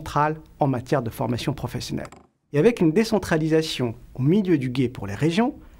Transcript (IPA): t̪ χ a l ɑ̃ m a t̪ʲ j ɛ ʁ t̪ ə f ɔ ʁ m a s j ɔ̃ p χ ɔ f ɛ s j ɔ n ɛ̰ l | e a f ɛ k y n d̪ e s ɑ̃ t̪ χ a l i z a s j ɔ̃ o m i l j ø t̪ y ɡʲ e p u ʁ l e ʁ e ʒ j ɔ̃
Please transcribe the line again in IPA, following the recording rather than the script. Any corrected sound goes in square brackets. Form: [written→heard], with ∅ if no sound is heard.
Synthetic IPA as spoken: t̪ χ a l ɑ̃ m a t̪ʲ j ɛ ʁ [t̪→d̪] ə f ɔ ʁ m a s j ɔ̃ p χ ɔ f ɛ s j ɔ n ɛ̰ l | e a [f→v] ɛ k y n d̪ e s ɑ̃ t̪ χ a l i z a s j ɔ̃ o m i l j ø [t̪→d̪] y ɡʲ e p u ʁ l e ʁ e ʒ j ɔ̃